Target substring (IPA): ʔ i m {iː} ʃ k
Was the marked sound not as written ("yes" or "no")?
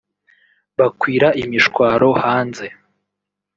yes